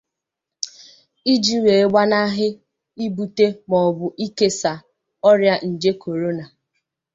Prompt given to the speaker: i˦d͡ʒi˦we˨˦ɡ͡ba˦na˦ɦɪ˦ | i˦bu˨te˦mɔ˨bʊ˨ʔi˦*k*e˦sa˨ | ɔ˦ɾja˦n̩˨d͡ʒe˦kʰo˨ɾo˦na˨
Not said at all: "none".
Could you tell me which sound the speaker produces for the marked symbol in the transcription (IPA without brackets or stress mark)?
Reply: k